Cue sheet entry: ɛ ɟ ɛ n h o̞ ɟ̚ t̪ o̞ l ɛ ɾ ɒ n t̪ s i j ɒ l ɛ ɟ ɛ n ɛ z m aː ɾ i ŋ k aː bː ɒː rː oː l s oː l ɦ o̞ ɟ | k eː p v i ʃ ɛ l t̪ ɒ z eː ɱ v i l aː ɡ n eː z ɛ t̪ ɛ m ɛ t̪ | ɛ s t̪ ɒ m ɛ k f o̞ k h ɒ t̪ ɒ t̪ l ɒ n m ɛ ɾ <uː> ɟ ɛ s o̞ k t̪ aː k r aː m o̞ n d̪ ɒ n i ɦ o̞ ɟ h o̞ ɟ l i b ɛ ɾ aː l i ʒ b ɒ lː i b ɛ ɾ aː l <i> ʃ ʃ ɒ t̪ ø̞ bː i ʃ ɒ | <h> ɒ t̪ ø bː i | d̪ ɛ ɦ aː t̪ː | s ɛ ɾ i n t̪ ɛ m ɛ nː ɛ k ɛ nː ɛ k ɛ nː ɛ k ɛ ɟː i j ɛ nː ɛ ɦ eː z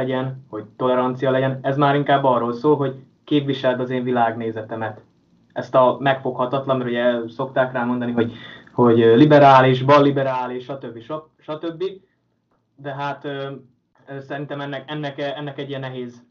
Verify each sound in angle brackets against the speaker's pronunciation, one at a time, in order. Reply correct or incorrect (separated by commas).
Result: incorrect, correct, incorrect